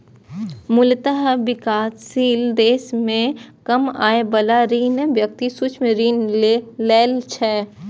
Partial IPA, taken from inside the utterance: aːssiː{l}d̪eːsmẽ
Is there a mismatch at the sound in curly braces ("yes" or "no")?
no